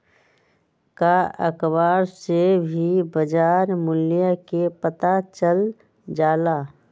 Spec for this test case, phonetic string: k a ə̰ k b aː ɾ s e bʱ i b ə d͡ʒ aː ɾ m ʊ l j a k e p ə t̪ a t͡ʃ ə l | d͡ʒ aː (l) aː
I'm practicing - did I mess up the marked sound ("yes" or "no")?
no